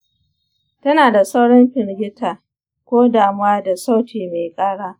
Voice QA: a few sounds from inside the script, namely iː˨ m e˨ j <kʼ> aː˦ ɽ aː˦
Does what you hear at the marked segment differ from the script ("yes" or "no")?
no